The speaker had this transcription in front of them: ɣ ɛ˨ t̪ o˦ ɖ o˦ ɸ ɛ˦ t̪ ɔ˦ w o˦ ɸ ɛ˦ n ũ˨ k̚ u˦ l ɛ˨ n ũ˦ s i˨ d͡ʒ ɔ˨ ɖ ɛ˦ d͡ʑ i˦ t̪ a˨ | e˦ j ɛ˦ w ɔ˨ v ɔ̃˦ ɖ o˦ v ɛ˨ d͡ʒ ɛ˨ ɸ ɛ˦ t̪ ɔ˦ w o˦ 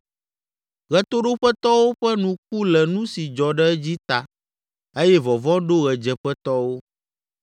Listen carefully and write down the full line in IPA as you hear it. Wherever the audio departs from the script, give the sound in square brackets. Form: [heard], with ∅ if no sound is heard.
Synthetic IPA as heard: ɣ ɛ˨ t̪ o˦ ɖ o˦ ɸ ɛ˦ t̪ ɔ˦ w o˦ ɸ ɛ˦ n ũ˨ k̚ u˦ l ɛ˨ n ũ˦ s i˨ d͡ʒ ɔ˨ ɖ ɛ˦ d͡ʑ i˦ t̪ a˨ | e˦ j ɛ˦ [v] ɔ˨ v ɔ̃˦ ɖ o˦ [ɣ] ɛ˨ d͡ʒ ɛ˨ ɸ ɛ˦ t̪ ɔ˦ w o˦